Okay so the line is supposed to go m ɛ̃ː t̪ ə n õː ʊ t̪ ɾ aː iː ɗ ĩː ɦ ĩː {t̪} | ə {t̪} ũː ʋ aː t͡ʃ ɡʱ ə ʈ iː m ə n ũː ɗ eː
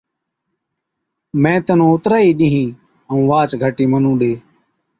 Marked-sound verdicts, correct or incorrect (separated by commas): incorrect, incorrect